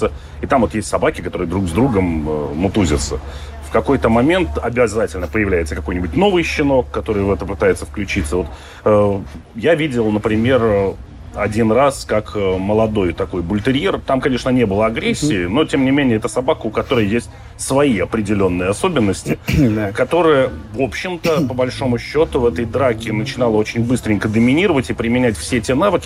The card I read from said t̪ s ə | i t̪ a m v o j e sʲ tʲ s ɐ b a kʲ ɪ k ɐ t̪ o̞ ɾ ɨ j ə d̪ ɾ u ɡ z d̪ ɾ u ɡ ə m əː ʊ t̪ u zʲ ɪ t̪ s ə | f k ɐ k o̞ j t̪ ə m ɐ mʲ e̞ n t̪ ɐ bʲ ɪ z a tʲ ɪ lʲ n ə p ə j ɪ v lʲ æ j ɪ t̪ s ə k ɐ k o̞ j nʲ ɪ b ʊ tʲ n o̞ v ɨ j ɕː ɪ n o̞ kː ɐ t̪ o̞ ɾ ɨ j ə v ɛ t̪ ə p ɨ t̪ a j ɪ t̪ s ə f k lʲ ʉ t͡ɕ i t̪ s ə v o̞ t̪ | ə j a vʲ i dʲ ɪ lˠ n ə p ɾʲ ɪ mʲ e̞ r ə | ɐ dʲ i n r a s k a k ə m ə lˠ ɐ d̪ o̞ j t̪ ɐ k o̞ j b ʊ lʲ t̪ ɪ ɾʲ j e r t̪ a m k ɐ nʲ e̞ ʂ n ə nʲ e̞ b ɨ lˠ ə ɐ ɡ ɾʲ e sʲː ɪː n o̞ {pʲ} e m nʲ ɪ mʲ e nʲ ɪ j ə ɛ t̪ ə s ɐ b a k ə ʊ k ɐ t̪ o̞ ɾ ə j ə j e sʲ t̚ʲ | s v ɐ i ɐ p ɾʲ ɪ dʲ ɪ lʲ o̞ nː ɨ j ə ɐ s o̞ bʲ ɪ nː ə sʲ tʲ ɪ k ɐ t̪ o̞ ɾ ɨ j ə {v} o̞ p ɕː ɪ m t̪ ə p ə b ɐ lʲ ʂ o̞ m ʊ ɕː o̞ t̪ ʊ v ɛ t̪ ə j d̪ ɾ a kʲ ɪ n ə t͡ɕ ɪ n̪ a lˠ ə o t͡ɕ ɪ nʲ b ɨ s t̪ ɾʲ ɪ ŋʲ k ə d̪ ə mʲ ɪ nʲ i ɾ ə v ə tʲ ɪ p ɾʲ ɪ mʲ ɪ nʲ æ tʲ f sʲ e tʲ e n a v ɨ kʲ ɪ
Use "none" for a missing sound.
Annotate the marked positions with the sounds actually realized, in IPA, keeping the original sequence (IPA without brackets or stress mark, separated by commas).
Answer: tʲ, v